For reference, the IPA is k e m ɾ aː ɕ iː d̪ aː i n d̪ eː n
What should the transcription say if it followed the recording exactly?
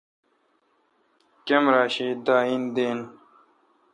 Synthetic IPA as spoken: k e m ɾ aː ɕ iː d̪ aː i n d̪ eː n